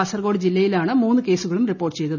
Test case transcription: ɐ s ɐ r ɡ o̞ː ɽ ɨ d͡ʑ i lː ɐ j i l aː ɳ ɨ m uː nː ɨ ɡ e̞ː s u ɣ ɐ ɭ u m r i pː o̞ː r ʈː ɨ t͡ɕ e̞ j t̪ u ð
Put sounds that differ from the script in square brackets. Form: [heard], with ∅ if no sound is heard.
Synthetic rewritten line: ɐ s ɐ r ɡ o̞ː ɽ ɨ d͡ʑ i lː ɐ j i l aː ɳ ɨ m uː nː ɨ [k] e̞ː s u ɣ ɐ ɭ u m r i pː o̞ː r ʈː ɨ t͡ɕ e̞ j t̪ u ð

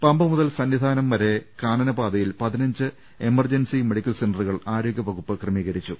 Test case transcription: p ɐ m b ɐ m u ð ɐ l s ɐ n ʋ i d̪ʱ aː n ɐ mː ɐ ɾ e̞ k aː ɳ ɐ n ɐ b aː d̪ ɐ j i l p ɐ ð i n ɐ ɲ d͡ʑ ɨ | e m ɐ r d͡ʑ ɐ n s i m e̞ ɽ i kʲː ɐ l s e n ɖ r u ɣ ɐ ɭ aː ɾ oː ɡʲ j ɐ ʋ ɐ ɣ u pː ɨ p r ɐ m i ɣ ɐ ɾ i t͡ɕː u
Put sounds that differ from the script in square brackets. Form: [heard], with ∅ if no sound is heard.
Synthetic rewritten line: p ɐ m b ɐ m u ð ɐ l s ɐ n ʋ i d̪ʱ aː n ɐ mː ɐ ɾ e̞ k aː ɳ ɐ n ɐ b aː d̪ ɐ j i l p ɐ ð i n ɐ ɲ d͡ʑ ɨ | e m ɐ r d͡ʑ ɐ n s i m e̞ ɽ i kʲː ɐ l s e n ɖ r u ɣ ɐ ɭ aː ɾ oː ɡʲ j ɐ ʋ ɐ ɣ u pː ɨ [k] r ɐ m [iː] ɣ ɐ ɾ i t͡ɕː u

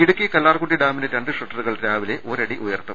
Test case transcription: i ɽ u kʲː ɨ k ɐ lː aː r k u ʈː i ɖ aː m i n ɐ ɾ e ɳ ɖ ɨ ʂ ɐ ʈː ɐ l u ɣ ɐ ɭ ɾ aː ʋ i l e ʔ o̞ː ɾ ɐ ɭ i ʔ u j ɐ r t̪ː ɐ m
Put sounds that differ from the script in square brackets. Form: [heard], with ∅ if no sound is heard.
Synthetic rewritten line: i ɽ u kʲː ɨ k ɐ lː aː r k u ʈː i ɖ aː m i n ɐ ɾ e ɳ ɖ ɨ ʂ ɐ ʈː ɐ [r] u ɣ ɐ ɭ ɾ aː ʋ i l e ʔ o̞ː ɾ ɐ [ɽ] i ʔ u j ɐ r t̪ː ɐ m

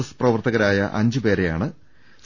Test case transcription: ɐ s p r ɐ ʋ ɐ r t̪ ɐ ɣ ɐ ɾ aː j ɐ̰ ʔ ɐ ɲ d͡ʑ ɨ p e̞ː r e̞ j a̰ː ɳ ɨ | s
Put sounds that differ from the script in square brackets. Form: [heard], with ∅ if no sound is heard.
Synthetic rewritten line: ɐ s p r ɐ ʋ ɐ r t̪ ɐ ɣ ɐ ɾ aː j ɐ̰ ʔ ɐ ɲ d͡ʑ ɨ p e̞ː [ɾ] e̞ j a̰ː ɳ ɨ | s

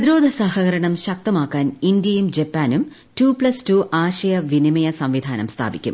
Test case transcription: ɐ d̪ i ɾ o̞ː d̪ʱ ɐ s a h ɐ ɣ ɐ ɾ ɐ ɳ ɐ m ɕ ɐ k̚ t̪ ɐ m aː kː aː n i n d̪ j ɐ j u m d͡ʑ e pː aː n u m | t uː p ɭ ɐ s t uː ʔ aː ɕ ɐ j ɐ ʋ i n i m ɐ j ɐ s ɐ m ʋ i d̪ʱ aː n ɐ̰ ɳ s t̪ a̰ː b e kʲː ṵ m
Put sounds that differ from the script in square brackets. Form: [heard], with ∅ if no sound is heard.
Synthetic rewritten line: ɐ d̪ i ɾ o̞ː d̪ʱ ɐ s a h ɐ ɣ ɐ ɾ ɐ ɳ ɐ m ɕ ɐ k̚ t̪ ɐ m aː kː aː n i n d̪ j ɐ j u m d͡ʑ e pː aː n u m | t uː p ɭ ɐ s t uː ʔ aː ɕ ɐ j ɐ ʋ i n i m ɐ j ɐ s ɐ m ʋ i d̪ʱ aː n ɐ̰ [m] s [t̪ʰ] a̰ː b [i] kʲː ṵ m

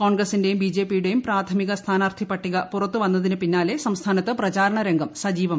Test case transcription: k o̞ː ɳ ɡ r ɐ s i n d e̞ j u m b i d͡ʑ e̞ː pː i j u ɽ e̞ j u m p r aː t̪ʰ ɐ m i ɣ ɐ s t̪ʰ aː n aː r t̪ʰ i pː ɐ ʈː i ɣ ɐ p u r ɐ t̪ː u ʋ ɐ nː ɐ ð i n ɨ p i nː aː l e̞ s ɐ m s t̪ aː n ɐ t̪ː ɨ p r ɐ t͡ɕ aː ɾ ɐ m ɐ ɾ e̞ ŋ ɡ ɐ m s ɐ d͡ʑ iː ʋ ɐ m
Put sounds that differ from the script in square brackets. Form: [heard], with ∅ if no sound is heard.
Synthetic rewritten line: k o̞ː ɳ ɡ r ɐ s i n d e̞ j u m b i d͡ʑ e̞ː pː i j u ɽ e̞ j u m p r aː t̪ʰ ɐ m i ɣ ɐ s t̪ʰ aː n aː r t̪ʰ i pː ɐ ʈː i ɣ ɐ p u r ɐ t̪ː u ʋ ɐ nː ɐ ð i n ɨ p i nː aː l e̞ s ɐ m s [t̪ʰ] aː n ɐ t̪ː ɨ p r ɐ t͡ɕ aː ɾ ɐ [ɳ] ɐ ɾ e̞ ŋ ɡ ɐ m s ɐ d͡ʑ iː ʋ ɐ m

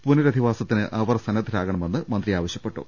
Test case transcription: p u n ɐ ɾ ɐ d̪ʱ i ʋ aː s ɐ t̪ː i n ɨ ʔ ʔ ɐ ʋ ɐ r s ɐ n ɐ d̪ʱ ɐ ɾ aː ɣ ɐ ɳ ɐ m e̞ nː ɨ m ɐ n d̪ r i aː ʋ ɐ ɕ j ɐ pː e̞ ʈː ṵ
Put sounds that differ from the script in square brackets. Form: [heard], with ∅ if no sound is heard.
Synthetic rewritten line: p u n ɐ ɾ ɐ d̪ʱ i ʋ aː s ɐ t̪ː i n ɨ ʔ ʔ ɐ ʋ ɐ r s ɐ n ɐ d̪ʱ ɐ ɾ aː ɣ ɐ ɳ ɐ m e̞ nː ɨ m ɐ n d̪ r i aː ʋ ɐ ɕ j ɐ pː e̞ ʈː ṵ

